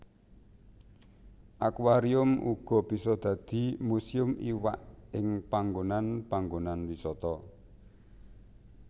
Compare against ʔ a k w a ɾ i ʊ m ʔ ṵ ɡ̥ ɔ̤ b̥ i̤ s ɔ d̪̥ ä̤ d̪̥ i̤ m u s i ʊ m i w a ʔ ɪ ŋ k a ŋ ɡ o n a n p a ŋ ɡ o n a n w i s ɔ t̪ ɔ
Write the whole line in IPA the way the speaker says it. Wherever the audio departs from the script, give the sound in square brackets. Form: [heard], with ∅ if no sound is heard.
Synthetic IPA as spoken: ʔ a k w a ɾ i ʊ m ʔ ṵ ɡ̥ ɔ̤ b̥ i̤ s ɔ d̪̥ ä̤ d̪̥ i̤ m u s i ʊ m i w a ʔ ɪ ŋ [p] a ŋ ɡ o n a n p a ŋ ɡ o n a n w i s ɔ t̪ ɔ